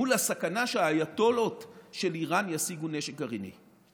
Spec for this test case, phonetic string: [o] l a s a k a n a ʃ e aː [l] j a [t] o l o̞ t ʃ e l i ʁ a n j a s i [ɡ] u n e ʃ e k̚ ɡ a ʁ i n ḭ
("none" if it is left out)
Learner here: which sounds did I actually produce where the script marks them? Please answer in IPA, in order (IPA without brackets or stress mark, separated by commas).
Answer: u, none, t, ɡ